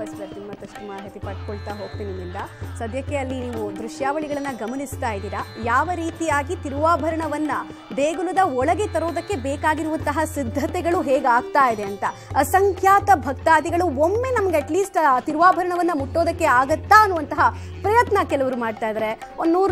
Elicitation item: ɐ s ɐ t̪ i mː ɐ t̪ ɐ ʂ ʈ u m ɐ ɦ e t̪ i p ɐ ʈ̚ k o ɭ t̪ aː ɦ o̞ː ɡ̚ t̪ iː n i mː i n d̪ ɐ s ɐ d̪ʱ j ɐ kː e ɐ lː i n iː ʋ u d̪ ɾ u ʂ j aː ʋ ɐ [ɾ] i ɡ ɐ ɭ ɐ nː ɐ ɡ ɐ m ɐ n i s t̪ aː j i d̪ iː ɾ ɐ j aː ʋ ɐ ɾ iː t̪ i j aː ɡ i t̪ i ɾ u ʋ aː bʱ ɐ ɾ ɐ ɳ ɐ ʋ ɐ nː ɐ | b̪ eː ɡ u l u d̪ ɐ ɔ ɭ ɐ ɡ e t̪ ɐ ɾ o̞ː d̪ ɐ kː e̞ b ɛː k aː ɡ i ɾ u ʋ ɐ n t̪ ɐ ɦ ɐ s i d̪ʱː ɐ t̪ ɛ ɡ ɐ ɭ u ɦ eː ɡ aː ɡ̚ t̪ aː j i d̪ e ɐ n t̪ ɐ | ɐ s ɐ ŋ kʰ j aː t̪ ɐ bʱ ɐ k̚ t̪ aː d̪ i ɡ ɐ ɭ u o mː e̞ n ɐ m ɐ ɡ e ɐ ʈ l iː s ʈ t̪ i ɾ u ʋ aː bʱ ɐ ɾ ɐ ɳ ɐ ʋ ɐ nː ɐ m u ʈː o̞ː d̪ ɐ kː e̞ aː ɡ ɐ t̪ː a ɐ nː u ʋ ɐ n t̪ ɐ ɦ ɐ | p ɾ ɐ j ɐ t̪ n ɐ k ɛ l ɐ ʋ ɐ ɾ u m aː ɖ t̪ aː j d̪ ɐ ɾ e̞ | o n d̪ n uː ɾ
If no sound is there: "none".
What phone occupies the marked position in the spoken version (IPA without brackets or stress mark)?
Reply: ɭ